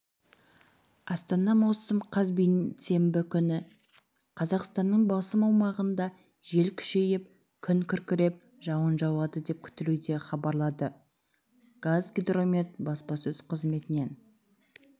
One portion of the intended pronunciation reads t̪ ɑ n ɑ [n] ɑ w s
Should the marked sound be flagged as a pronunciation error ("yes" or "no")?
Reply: yes